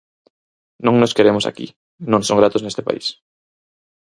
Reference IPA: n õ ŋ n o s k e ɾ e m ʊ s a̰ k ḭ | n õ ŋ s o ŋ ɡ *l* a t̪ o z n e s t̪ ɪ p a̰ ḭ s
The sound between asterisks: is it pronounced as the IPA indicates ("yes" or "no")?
no